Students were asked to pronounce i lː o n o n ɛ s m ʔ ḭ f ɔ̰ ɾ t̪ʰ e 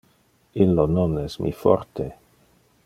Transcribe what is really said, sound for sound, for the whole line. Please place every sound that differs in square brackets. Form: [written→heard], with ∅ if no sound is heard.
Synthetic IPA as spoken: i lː o n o n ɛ s m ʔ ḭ f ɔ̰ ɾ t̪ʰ e